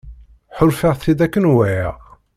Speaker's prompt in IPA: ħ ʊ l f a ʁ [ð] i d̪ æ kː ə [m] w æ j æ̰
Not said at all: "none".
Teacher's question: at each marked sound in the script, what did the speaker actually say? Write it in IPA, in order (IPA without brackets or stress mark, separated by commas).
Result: θ, n